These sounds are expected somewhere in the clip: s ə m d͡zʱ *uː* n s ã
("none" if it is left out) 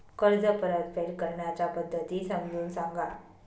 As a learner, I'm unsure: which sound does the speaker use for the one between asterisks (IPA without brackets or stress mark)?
uː